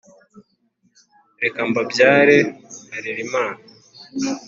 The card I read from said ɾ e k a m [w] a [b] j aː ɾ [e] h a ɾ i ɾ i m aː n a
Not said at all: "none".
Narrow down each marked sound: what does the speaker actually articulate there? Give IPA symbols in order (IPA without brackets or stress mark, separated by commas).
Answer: b, b, e